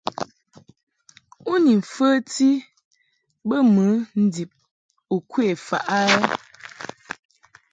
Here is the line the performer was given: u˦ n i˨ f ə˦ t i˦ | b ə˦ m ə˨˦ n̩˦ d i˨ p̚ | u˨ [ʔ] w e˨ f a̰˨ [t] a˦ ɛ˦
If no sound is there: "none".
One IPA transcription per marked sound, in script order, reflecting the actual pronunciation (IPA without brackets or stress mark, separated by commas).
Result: k, ʔ